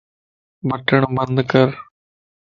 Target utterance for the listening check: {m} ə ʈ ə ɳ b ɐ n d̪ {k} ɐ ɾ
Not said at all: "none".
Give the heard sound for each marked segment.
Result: b, k

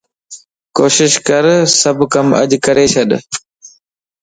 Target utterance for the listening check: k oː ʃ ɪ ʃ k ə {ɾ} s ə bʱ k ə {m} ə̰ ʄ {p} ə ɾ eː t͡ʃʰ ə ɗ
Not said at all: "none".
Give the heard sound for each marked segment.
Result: ɾ, m, k

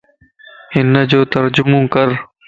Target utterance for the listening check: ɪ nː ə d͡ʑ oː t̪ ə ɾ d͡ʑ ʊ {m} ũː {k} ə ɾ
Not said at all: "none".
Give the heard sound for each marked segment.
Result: m, k

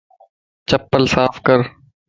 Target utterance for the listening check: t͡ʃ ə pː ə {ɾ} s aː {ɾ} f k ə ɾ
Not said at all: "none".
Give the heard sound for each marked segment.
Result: l, none

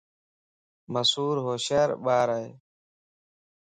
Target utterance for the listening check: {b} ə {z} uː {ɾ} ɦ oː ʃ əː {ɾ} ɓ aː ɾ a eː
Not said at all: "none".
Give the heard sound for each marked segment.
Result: m, s, ɾ, ɾ

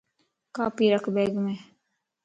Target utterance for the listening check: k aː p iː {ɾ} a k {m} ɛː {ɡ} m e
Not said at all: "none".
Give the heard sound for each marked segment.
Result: ɾ, b, ɡ

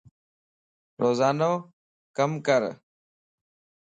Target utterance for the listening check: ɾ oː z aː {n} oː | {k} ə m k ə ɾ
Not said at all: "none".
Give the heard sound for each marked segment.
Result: n, k

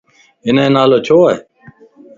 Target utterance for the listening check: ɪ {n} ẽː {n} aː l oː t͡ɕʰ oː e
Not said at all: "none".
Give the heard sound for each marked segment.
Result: n, n

